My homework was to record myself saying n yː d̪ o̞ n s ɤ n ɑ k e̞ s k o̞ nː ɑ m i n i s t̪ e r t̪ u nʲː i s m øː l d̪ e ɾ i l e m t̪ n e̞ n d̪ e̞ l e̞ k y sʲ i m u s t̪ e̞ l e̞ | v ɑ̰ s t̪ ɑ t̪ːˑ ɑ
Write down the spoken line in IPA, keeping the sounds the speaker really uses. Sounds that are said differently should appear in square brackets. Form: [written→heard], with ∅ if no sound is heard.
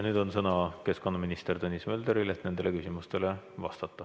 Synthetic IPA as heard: n yː d̪ o̞ n s ɤ n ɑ k e̞ s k o̞ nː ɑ m i n i s t̪ e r t̪ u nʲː i s m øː l d̪ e ɾ i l e [m→∅] t̪ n e̞ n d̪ e̞ l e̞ k y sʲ i m u s t̪ e̞ l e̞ | v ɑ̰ s t̪ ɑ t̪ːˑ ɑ